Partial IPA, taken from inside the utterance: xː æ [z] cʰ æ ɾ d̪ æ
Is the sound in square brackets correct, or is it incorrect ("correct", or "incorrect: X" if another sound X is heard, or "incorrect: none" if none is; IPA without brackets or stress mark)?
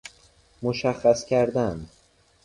incorrect: s